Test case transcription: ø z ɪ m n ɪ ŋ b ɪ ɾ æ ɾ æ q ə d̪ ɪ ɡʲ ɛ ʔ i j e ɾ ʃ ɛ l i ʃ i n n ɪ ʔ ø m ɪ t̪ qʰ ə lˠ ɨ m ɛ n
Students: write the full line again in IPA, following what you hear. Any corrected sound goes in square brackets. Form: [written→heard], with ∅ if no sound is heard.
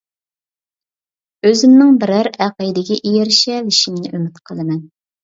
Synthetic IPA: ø z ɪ m n ɪ ŋ b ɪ ɾ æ ɾ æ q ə d̪ ɪ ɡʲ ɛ ʔ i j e ɾ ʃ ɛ l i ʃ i [n→m] n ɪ ʔ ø m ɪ t̪ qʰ ə lˠ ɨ m ɛ n